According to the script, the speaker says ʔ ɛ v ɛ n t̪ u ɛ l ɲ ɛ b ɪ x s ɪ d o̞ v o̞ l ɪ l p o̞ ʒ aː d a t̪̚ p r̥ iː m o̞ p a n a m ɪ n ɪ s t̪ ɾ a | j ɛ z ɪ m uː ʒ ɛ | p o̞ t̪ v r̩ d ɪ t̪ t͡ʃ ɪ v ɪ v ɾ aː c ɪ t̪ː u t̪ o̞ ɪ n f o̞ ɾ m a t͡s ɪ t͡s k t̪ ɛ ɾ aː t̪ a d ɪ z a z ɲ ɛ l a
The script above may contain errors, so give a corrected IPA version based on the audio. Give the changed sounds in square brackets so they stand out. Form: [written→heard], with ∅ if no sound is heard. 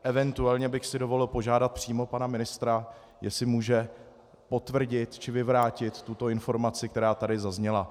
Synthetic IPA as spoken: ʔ ɛ v ɛ n t̪ u ɛ l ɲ ɛ b ɪ x s ɪ d o̞ v o̞ l ɪ l p o̞ ʒ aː d a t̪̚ p r̥ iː m o̞ p a n a m ɪ n ɪ s t̪ ɾ a | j ɛ [z→s] ɪ m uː ʒ ɛ | p o̞ t̪ v r̩ [d→ɟ] ɪ t̪ t͡ʃ ɪ v ɪ v ɾ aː c ɪ t̪ː u t̪ o̞ ɪ n f o̞ ɾ m a t͡s ɪ [t͡s→∅] k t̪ ɛ ɾ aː t̪ a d ɪ z a z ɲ ɛ l a